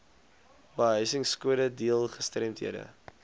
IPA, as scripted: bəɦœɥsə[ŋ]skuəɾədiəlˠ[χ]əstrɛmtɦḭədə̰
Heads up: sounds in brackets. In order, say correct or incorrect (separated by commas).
correct, correct